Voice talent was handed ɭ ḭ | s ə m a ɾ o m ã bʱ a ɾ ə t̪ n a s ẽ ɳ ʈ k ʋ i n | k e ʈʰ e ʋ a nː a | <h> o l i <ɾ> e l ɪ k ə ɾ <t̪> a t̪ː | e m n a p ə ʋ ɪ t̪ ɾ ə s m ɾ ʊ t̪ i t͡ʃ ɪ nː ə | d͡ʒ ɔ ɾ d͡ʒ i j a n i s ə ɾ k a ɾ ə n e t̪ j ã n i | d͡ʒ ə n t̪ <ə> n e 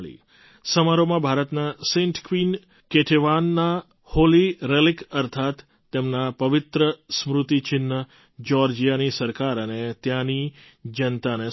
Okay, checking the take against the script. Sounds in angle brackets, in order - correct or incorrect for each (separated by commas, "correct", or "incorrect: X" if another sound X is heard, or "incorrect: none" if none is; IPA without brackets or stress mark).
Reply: correct, correct, incorrect: t̪ʰ, incorrect: a